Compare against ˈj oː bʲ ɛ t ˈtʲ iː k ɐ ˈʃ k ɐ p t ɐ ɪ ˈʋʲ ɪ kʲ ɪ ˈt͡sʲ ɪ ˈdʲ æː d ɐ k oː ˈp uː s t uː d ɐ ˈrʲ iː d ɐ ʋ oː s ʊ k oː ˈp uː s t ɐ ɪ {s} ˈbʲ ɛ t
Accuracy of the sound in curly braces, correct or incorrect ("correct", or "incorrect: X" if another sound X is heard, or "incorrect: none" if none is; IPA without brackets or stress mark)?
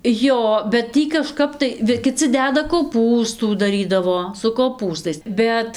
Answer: correct